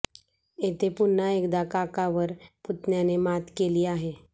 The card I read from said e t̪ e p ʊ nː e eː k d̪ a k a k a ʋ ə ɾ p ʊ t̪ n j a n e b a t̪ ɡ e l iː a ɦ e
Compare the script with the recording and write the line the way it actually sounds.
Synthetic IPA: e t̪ e p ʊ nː a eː k d̪ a k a k a ʋ ə ɾ p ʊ t̪ n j a n e m a t̪ k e l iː a ɦ e